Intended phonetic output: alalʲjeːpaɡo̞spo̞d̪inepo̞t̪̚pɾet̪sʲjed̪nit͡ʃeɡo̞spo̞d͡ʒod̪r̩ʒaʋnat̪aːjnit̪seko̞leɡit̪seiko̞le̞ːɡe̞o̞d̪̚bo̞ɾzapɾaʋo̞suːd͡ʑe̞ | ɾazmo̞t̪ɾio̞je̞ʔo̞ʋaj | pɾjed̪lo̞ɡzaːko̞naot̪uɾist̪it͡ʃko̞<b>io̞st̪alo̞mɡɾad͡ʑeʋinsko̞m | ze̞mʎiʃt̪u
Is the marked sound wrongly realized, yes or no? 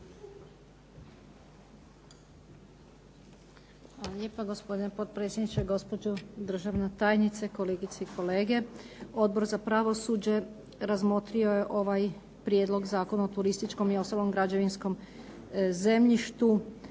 yes